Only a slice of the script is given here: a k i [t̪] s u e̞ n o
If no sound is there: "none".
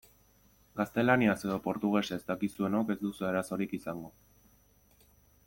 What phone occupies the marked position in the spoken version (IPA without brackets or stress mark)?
none